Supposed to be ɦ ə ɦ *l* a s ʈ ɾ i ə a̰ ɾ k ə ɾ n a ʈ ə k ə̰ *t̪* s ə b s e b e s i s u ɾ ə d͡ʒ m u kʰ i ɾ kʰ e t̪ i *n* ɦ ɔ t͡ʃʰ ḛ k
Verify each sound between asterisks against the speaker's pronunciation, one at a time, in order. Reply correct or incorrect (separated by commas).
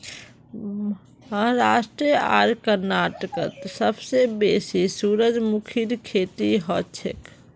incorrect, correct, incorrect